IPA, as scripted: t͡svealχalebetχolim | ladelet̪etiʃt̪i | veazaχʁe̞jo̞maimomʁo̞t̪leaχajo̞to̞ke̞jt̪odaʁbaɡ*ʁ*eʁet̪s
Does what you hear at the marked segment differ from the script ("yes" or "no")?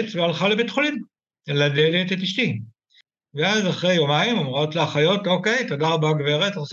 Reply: yes